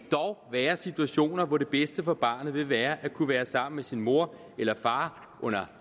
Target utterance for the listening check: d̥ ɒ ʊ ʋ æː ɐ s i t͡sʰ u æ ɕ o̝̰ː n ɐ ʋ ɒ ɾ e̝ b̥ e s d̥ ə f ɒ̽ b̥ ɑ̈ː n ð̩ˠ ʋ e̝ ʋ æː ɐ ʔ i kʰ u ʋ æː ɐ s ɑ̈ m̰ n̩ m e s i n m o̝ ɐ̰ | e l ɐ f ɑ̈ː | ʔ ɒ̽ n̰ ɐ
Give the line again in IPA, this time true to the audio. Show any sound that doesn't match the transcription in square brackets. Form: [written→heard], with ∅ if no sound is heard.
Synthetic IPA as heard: d̥ ɒ ʊ ʋ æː ɐ s i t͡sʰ u æ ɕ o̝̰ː n ɐ ʋ ɒ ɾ e̝ b̥ e s d̥ ə f ɒ̽ b̥ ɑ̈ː n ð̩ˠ ʋ e̝ ʋ æː ɐ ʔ [i→æ] kʰ u ʋ æː ɐ s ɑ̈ m̰ n̩ m e s i n m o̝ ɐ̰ | e l ɐ f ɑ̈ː | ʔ [ɒ̽→ɔ̽] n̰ ɐ